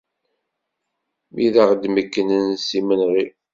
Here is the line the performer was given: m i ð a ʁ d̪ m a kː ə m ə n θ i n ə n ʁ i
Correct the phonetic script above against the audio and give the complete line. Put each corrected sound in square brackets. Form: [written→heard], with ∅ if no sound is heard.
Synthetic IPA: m i ð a ʁ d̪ m [a→ə] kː ə [m→n] ə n [θ→s] i [n→m] ə n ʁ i